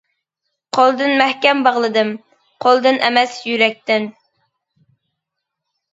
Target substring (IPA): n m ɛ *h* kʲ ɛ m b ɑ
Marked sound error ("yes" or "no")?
no